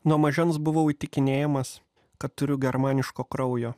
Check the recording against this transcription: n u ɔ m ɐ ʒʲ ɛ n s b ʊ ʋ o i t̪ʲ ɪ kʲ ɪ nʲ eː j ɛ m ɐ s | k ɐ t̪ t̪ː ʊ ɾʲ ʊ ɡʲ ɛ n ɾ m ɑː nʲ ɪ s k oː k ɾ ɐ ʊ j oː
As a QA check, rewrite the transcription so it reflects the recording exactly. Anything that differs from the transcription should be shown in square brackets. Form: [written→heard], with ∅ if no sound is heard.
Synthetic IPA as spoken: n u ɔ m ɐ ʒʲ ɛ n s b ʊ ʋ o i t̪ʲ ɪ kʲ ɪ nʲ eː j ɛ m ɐ s | k ɐ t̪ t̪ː ʊ ɾʲ ʊ ɡʲ ɛ [n→∅] ɾ m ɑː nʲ ɪ [s→ʃ] k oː k ɾ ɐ ʊ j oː